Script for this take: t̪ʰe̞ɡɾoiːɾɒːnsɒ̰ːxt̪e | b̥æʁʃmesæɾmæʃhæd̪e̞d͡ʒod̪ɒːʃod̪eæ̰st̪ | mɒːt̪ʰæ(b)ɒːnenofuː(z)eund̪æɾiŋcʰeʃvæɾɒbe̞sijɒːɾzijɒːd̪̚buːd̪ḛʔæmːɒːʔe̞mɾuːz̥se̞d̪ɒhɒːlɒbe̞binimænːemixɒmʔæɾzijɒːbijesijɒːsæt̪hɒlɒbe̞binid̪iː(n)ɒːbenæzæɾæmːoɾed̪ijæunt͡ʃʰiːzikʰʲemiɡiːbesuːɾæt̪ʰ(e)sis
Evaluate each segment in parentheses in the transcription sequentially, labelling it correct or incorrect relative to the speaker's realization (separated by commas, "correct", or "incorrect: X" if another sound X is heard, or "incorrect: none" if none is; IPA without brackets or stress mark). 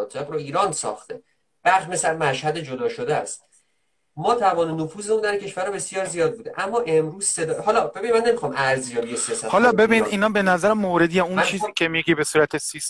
incorrect: v, correct, correct, correct